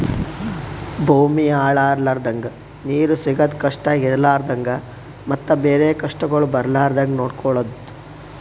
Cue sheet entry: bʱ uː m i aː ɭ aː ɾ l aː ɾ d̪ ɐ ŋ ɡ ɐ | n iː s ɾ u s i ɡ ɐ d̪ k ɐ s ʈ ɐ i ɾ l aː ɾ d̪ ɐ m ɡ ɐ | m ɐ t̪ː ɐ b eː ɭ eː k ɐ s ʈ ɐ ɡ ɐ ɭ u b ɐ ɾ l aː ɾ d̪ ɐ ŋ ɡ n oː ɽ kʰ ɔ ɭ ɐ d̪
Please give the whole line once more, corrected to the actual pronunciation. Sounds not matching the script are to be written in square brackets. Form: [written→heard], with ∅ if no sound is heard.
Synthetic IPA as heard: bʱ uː m i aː ɭ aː ɾ l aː ɾ d̪ ɐ ŋ ɡ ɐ | n iː [s→∅] ɾ u s i ɡ ɐ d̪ k ɐ [s→ʂ] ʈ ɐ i ɾ l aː ɾ d̪ ɐ [m→ŋ] ɡ ɐ | m ɐ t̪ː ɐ b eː [ɭ→ɾ] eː k ɐ [s→ʂ] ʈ ɐ ɡ ɐ ɭ u b ɐ ɾ l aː ɾ d̪ ɐ ŋ ɡ n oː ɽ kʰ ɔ ɭ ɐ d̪